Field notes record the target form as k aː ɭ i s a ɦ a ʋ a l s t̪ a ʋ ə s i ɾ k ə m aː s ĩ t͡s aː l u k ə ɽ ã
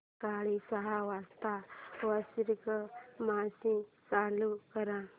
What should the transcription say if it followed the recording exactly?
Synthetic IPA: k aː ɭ i s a ɦ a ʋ a s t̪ a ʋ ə s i ɾ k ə m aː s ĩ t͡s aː l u k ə ɾ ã